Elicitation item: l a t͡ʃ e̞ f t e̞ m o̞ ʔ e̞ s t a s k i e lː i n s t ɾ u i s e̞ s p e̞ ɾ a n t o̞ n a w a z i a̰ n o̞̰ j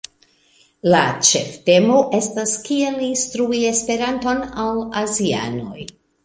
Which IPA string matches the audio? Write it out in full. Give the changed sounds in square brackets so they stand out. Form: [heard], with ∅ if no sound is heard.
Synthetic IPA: l a t͡ʃ e̞ f t e̞ m o̞ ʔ e̞ s t a s k i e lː i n s t ɾ u i [∅] e̞ s p e̞ ɾ a n t o̞ n a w a z i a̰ n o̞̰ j